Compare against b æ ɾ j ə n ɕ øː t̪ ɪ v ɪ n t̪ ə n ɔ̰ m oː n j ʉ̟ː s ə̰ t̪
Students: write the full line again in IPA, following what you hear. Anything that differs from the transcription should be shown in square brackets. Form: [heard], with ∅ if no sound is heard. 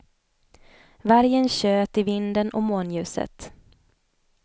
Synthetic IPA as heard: [v] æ ɾ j ə n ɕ øː t̪ ɪ v ɪ n [d̪] ə n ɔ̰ m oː n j ʉ̟ː s ə̰ t̪